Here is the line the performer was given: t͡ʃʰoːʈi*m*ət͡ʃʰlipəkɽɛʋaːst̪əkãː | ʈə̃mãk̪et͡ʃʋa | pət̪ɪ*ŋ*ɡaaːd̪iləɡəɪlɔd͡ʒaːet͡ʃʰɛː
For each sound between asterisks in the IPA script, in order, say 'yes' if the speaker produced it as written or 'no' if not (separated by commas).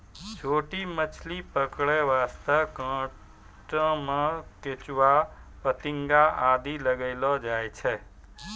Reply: yes, yes